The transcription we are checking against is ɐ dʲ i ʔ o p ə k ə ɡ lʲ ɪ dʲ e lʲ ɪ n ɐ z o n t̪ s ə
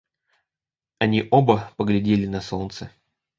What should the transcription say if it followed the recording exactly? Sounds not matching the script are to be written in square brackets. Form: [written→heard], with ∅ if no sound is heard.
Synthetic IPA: ɐ [dʲ→nʲ] i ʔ o [p→b] ə [k→p] ə ɡ lʲ ɪ dʲ e lʲ ɪ n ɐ [z→s] o n t̪ s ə